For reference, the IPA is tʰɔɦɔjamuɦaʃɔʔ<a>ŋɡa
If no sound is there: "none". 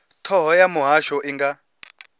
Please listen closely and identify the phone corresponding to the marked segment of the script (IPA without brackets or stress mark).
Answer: i